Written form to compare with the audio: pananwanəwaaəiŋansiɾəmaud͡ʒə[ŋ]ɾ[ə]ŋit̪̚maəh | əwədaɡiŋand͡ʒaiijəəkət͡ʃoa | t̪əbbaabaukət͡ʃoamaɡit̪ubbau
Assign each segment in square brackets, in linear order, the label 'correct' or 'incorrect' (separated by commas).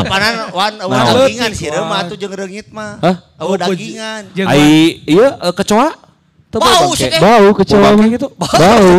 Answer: correct, correct